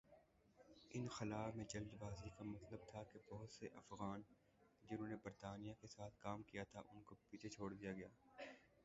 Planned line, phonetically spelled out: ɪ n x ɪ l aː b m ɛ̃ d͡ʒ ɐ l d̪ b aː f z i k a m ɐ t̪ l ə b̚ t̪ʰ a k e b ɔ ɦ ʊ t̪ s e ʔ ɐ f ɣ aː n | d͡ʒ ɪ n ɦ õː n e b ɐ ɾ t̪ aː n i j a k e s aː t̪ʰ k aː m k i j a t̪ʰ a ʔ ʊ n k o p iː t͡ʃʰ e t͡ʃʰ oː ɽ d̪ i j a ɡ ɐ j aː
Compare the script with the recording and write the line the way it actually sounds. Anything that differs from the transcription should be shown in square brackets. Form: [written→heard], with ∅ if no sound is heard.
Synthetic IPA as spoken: ɪ n x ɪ l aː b m [ɛ̃→ẽ] d͡ʒ ɐ l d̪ b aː [f→∅] z i k a m ɐ t̪ l ə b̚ t̪ʰ a k e b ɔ ɦ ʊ t̪ s e ʔ ɐ f ɣ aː n | d͡ʒ ɪ n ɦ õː n e b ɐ ɾ t̪ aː n i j a k e s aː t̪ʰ k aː m k i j a t̪ʰ a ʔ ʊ n k o p iː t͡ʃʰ e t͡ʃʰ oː ɽ d̪ i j a ɡ ɐ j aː

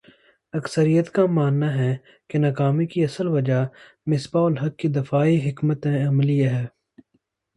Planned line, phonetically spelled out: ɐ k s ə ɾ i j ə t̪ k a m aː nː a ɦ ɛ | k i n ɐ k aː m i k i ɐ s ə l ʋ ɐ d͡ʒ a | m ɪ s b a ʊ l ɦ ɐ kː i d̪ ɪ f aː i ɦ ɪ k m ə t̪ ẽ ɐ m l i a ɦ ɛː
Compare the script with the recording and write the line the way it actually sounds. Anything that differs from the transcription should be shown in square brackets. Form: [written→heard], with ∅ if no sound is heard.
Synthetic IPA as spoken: ɐ k s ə ɾ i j ə t̪ k a m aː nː a ɦ ɛ | k [i→e] n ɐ k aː m i k i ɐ s ə l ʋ ɐ d͡ʒ a | m ɪ s b a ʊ l ɦ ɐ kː i d̪ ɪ f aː i ɦ ɪ k m ə t̪ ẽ ɐ m l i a ɦ ɛː

